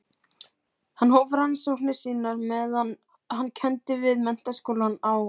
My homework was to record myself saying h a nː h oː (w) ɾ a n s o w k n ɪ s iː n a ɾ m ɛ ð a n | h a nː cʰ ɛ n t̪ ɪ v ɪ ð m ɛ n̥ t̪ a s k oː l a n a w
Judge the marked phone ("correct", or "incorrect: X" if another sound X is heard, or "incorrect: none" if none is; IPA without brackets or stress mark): incorrect: v